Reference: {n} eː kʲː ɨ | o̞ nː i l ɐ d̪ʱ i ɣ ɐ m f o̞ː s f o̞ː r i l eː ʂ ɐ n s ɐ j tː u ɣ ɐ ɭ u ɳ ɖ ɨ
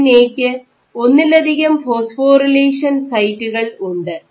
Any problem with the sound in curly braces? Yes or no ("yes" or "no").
no